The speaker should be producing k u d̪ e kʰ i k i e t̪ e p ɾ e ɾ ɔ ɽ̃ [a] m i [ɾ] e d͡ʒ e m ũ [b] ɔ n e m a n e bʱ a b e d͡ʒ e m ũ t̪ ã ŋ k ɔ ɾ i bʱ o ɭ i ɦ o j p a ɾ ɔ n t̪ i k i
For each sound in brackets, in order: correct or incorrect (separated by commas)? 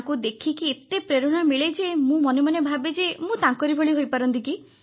correct, incorrect, incorrect